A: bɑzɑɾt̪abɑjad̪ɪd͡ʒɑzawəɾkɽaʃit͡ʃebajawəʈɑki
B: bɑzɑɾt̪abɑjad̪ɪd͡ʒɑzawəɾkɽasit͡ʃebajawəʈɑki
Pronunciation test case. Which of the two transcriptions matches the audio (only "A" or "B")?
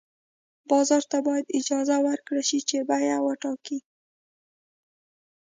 A